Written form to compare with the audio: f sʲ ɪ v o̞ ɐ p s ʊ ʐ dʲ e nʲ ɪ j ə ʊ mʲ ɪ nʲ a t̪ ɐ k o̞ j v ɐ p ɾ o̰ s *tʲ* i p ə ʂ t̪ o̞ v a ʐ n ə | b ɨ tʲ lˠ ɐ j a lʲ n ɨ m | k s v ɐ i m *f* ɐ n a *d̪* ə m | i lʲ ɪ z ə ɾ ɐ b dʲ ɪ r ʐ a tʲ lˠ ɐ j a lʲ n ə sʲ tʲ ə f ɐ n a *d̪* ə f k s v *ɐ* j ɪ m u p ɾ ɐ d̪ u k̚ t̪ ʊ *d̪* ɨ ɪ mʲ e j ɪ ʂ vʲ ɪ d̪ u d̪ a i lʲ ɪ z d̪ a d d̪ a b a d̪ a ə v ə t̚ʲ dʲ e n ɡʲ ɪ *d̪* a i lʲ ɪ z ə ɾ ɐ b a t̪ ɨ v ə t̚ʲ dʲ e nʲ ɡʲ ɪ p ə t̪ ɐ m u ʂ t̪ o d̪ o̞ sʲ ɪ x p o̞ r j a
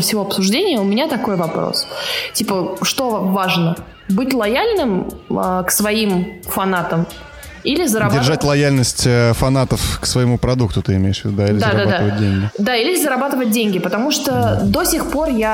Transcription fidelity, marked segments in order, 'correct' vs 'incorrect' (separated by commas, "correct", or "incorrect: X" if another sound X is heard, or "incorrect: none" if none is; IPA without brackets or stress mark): correct, correct, incorrect: t̪, incorrect: t̪, incorrect: ə, incorrect: t̪, correct